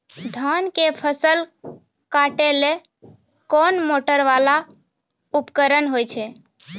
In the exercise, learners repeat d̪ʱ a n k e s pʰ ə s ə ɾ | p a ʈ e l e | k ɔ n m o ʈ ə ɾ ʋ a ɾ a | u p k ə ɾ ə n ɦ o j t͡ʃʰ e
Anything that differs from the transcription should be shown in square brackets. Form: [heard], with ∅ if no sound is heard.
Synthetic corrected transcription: d̪ʱ a n k e [∅] pʰ ə s ə [l] | [k] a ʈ e l e | k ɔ n m o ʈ ə ɾ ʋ a [l] a | u p k ə ɾ ə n ɦ o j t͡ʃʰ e